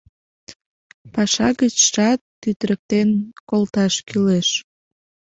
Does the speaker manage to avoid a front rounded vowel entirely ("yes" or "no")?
no